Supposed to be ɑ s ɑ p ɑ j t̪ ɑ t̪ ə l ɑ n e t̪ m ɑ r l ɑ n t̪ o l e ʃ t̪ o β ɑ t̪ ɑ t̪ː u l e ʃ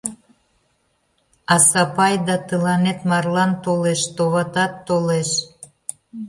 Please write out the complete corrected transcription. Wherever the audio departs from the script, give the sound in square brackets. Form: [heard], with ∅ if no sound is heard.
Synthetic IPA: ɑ s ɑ p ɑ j [d̪] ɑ t̪ ə l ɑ n e t̪ m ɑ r l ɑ n t̪ o l e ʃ t̪ o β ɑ t̪ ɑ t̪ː [o] l e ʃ